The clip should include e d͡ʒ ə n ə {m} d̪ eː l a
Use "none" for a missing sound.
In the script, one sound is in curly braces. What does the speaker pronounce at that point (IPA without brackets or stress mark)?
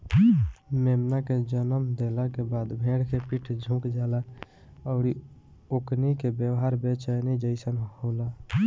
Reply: m